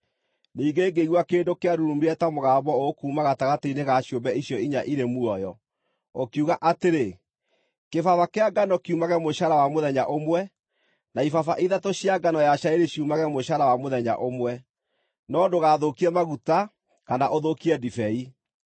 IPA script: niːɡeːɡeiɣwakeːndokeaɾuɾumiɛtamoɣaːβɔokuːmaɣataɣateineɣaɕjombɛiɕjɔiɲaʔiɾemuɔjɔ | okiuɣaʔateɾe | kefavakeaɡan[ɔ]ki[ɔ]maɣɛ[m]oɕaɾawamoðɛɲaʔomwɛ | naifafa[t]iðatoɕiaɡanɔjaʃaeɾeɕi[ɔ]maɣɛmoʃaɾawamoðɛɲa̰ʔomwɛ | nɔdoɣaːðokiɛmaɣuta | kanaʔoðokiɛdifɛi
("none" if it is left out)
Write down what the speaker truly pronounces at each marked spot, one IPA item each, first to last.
ɔ, u, m, ʔ, u

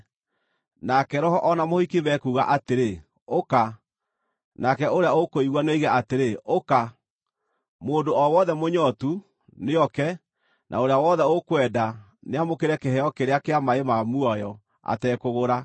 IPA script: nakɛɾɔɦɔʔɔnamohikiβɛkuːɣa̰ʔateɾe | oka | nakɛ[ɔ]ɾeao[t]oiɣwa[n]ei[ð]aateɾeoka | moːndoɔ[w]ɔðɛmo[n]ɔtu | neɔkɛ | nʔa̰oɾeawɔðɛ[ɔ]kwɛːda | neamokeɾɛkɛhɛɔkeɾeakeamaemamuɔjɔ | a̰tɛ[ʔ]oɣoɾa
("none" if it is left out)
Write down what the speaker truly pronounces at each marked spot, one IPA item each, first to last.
o, k, n, ɣ, w, ɲ, o, k

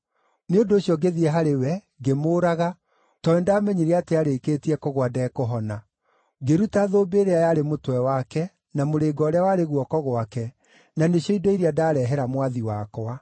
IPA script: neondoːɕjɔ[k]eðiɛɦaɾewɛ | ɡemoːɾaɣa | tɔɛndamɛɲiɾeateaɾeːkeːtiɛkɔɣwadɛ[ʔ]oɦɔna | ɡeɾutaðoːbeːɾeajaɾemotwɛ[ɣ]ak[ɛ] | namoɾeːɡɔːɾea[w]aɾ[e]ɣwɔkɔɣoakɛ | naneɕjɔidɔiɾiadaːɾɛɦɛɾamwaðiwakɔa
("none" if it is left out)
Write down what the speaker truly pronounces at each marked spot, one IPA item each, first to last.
ɡ, k, w, ɛ, w, e

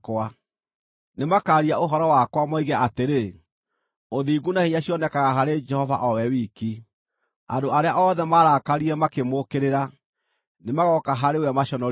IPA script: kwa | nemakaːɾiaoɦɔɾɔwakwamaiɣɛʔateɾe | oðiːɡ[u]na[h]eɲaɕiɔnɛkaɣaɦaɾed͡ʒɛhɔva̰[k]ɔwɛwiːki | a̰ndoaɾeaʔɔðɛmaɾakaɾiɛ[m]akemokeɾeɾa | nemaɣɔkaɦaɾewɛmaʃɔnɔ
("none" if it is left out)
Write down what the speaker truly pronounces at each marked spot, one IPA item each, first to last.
u, h, ʔ, m

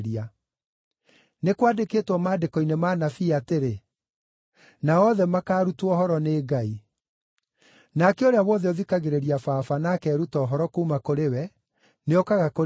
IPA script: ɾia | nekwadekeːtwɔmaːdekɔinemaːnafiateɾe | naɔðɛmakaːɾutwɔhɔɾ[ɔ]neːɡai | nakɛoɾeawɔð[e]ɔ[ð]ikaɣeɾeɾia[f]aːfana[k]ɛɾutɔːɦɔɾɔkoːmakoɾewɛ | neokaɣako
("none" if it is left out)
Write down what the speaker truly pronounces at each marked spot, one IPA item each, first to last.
ɔ, ɛ, ð, f, k

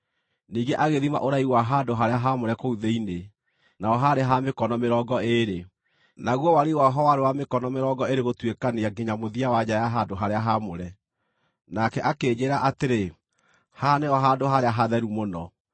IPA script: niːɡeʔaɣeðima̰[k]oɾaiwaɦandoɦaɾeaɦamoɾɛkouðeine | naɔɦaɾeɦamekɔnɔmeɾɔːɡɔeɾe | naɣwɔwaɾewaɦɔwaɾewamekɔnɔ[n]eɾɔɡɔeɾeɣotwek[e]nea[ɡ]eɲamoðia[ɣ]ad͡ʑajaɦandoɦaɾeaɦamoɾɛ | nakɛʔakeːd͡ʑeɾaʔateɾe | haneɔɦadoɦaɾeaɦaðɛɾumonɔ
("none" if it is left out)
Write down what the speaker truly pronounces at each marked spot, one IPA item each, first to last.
ʔ, m, a, ɡ, w

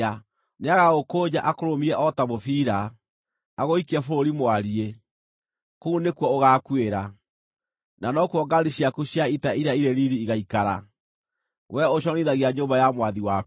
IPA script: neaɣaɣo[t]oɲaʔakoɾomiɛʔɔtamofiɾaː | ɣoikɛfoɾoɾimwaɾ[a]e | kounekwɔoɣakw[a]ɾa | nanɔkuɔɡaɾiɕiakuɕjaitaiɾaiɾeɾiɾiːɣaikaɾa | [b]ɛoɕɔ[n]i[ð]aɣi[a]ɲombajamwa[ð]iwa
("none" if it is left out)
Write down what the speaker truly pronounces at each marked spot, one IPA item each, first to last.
k, i, e, w, n, ð, a, ð

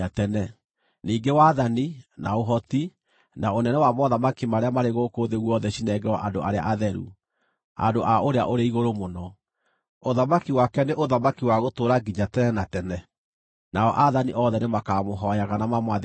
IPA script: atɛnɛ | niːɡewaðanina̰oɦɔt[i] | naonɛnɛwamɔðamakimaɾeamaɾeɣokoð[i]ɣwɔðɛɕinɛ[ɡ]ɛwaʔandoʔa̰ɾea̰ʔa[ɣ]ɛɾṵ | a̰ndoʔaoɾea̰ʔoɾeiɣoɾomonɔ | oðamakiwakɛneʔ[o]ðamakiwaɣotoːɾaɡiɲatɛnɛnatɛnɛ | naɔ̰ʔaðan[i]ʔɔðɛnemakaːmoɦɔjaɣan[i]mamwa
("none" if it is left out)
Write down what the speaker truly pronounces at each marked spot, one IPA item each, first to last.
i, e, ɡ, ð, o, i, a

